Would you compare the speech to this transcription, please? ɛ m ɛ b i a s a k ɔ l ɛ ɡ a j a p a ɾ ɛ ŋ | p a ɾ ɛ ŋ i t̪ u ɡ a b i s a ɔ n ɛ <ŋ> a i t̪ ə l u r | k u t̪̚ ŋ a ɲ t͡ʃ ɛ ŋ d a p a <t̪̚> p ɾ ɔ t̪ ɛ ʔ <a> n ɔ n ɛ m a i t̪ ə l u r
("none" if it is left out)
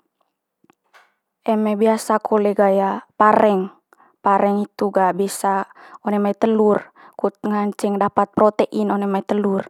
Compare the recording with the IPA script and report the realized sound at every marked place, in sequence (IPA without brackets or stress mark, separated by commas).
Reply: m, t̪̚, i